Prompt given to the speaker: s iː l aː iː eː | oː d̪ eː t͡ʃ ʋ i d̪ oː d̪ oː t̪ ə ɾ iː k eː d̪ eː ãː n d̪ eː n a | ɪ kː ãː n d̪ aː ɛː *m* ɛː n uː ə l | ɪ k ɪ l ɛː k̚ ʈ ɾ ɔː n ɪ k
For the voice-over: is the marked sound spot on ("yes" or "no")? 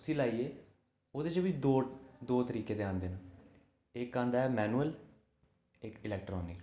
yes